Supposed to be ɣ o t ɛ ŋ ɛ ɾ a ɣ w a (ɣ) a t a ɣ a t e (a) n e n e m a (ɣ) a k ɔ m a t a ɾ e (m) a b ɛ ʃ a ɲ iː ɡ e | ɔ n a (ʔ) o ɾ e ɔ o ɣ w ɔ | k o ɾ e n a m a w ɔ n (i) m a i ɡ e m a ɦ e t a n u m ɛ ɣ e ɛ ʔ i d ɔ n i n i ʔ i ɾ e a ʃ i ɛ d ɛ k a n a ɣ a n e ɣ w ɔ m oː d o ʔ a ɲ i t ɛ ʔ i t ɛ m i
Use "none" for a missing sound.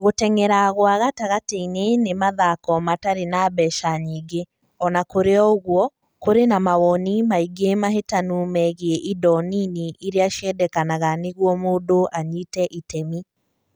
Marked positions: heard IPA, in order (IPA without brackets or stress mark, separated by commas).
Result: ɣ, i, ð, n, k, i